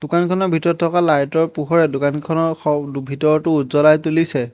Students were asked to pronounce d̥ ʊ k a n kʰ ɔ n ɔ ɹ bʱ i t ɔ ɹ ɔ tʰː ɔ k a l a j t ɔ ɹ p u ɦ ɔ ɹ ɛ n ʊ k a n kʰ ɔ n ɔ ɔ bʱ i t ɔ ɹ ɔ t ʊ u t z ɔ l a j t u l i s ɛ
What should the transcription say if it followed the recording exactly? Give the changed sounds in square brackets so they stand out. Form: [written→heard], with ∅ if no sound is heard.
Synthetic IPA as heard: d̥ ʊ k a n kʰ ɔ n ɔ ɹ bʱ i t ɔ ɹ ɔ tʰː ɔ k a l a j t ɔ ɹ p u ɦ ɔ ɹ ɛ [n→d] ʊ k a n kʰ ɔ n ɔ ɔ bʱ i t ɔ ɹ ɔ t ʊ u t z ɔ l a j t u l i s ɛ